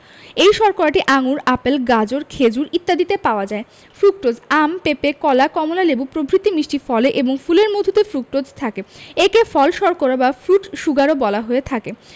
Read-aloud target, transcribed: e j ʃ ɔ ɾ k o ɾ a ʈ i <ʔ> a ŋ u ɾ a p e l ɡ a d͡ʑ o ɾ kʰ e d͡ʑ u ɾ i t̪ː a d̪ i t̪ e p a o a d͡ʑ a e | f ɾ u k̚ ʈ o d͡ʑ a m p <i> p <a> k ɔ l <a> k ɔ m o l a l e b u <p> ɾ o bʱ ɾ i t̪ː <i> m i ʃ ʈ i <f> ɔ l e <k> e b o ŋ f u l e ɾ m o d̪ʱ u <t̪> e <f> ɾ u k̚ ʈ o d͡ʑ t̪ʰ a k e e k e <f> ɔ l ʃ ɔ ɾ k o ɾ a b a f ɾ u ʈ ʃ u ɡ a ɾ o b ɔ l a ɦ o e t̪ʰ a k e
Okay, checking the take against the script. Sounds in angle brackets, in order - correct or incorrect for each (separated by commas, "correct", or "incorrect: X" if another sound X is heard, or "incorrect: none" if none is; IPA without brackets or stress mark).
correct, incorrect: e, incorrect: e, correct, correct, correct, correct, incorrect: ʔ, correct, correct, correct